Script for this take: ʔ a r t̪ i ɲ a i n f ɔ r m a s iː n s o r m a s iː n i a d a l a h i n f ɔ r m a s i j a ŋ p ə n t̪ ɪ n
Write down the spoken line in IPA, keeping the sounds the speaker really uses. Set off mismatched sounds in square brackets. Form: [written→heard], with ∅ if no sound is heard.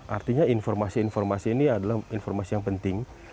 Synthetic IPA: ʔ a r t̪ i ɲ a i n f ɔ r m a s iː n [s→f] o r m a s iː n i a d a l a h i n f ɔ r m a s i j a ŋ p ə n t̪ ɪ [n→ŋ]